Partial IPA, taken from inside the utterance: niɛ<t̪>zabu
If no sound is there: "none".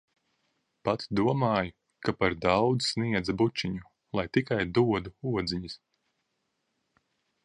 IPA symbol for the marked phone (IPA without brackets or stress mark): d̪